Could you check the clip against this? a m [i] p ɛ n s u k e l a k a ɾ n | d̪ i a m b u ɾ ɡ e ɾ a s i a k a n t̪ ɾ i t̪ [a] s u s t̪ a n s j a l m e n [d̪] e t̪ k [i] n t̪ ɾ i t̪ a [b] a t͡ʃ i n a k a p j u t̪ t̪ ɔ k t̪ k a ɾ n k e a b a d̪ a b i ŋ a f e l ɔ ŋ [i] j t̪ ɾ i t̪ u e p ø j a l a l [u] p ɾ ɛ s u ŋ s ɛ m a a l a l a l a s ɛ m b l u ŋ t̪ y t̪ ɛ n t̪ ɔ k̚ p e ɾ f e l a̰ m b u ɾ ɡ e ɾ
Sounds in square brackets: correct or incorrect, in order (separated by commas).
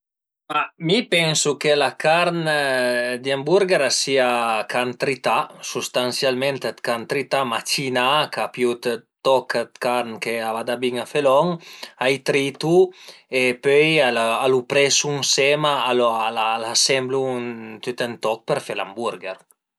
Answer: correct, correct, incorrect, incorrect, incorrect, incorrect, correct